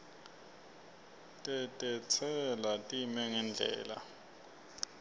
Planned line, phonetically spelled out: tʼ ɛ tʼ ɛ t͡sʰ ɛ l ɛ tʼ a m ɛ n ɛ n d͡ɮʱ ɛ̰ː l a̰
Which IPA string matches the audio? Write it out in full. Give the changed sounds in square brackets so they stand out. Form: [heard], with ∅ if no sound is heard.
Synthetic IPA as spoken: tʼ ɛ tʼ ɛ t͡sʰ ɛ l [a] tʼ [i] m ɛ [ŋ] ɛ n d͡ɮʱ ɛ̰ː l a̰